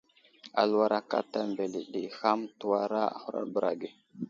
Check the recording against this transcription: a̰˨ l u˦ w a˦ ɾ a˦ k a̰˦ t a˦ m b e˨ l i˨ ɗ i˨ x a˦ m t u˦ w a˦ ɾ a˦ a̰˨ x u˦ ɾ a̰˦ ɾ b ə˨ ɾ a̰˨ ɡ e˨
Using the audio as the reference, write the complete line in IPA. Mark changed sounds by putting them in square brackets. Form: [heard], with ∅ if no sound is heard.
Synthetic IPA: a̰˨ l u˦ w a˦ ɾ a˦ k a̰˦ t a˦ m b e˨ l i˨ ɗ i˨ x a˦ m t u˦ w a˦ ɾ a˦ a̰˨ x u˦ ɾ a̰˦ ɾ b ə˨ ɾ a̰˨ ɡ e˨